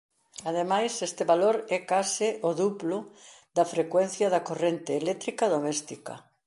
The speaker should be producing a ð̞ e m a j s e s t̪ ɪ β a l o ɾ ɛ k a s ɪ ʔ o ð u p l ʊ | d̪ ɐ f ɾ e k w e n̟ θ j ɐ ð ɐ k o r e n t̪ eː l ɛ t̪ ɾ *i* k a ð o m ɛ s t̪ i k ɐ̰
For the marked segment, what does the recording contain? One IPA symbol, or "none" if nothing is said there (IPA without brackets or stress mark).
i